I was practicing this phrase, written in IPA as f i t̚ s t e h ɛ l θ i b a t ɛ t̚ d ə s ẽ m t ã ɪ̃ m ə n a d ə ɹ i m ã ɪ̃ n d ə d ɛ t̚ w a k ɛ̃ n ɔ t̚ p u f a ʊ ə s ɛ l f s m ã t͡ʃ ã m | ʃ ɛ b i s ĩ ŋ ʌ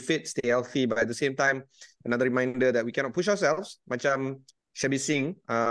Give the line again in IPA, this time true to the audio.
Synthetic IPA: f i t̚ s t e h ɛ l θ i b a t ɛ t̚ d ə s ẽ m t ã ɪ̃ m ə n a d ə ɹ i m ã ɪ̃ n d ə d ɛ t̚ w i k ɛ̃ n ɔ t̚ p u ʃ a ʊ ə s ɛ l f s m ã t͡ʃ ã m | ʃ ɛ b i s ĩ ŋ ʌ